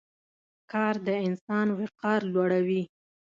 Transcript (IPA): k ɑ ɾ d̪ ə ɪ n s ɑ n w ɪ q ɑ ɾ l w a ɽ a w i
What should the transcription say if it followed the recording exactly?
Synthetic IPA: k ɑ ɾ d̪ ə ɪ n s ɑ n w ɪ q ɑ ɾ l w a ɽ a w i